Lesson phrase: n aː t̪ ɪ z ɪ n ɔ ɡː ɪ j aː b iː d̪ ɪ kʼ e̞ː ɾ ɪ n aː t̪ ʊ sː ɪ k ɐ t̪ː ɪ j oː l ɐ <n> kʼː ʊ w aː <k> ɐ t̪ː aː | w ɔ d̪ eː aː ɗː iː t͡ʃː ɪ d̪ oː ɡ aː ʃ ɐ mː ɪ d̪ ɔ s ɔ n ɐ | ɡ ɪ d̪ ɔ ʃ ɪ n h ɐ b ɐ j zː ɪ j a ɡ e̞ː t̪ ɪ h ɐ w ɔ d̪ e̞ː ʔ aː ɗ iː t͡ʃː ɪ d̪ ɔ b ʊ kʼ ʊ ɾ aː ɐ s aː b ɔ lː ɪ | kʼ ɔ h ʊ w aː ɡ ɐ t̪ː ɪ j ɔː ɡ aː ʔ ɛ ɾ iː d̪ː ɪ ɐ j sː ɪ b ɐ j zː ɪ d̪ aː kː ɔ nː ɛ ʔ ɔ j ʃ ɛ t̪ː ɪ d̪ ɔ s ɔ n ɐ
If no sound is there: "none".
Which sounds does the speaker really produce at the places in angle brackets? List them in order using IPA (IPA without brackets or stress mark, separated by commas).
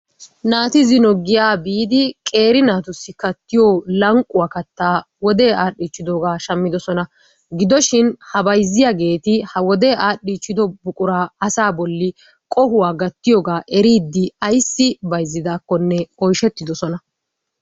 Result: ŋ, k